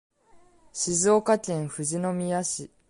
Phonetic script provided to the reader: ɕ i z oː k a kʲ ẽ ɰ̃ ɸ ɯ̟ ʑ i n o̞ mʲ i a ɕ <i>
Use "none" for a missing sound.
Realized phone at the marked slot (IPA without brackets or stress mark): i